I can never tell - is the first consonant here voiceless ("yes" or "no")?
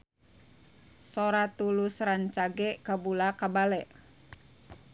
yes